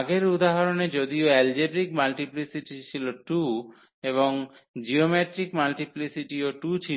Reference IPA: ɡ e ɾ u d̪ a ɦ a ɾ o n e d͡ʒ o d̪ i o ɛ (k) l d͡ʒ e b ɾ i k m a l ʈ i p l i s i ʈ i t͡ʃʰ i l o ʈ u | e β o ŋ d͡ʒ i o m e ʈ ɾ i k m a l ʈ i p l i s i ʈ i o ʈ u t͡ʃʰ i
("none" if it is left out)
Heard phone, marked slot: none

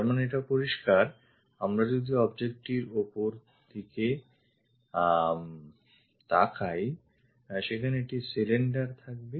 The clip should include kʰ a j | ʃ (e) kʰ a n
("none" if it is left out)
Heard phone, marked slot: e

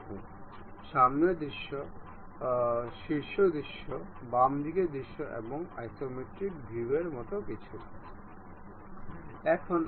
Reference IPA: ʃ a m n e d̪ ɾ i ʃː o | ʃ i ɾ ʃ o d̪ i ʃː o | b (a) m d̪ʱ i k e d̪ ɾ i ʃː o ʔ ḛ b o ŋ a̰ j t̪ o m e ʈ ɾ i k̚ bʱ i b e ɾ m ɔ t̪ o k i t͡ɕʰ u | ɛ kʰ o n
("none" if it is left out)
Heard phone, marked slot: a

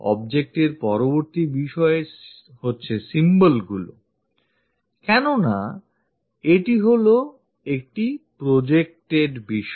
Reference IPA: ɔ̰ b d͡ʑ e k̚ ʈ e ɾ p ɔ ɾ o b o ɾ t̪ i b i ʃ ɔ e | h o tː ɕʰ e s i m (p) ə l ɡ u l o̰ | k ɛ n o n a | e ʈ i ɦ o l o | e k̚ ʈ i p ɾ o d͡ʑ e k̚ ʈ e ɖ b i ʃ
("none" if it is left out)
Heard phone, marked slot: b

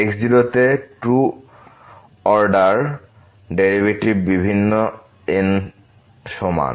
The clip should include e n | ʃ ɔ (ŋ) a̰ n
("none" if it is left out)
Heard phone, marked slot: m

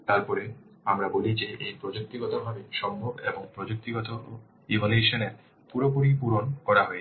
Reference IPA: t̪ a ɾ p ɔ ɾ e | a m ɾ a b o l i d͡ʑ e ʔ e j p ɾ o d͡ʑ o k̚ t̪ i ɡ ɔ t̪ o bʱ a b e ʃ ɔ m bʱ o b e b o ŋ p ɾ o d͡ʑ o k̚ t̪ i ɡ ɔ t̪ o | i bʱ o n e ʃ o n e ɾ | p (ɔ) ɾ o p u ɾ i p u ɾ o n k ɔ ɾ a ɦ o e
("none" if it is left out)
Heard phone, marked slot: u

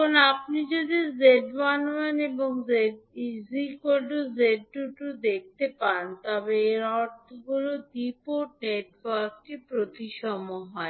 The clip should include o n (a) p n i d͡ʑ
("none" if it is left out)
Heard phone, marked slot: a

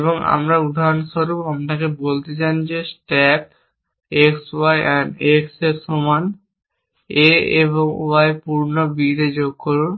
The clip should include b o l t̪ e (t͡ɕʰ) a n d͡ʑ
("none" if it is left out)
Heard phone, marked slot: t͡ɕ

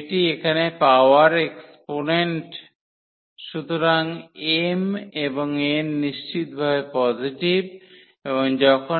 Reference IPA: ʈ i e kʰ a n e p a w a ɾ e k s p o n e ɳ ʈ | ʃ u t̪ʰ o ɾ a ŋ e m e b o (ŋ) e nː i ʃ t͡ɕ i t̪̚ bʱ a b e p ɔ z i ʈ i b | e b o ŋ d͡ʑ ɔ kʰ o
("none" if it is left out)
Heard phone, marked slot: ŋ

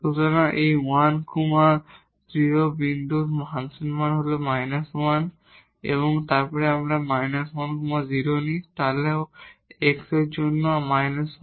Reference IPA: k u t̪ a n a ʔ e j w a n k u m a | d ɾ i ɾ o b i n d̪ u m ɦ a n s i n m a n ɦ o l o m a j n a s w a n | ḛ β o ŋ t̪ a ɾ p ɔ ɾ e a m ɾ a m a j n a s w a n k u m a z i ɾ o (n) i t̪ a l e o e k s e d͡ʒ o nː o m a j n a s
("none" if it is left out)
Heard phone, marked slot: n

